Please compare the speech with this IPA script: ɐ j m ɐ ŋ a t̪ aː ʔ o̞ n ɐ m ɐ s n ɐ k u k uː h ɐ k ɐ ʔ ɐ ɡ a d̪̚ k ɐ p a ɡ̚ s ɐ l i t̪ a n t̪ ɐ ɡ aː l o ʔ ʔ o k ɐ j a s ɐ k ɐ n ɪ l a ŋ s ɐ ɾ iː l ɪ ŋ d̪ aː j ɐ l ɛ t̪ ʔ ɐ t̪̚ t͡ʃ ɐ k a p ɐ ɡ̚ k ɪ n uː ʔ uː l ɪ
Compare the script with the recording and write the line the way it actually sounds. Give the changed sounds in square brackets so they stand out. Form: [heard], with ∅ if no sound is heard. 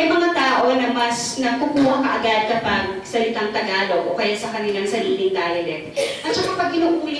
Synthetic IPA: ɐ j m ɐ ŋ a t̪ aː ʔ o̞ n ɐ m ɐ s n ɐ k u k uː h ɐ k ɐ ʔ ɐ ɡ a d̪̚ k ɐ p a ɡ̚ s ɐ l [ɪ] t̪ a [ŋ] t̪ ɐ ɡ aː l o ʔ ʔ o k ɐ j a s ɐ k ɐ n ɪ l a ŋ s ɐ ɾ iː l ɪ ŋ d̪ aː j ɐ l ɛ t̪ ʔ ɐ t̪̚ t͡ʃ ɐ k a p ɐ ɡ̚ k ɪ n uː ʔ uː l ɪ